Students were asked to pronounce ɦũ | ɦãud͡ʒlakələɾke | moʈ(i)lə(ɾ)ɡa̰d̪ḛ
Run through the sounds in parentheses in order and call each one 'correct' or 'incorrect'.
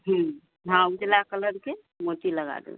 correct, incorrect: none

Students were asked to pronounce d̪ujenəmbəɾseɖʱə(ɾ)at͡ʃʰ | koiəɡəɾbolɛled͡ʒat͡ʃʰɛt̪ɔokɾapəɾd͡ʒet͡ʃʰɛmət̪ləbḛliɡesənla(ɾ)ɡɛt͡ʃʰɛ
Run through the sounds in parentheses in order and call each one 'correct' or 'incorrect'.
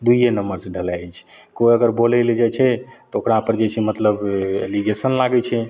incorrect: l, incorrect: none

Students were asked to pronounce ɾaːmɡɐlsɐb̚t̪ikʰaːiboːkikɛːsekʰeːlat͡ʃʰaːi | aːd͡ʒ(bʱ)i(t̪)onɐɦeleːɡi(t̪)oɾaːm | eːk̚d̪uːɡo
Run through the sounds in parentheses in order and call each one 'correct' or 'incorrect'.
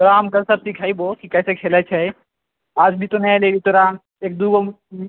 correct, correct, correct

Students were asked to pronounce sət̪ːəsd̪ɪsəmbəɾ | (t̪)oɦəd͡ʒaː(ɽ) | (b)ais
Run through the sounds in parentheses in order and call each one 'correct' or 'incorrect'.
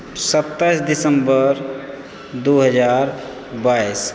incorrect: d̪, incorrect: ɾ, correct

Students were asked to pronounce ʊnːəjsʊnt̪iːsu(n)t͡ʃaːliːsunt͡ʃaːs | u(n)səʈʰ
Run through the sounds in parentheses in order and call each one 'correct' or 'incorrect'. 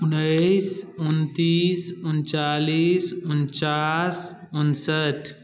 correct, correct

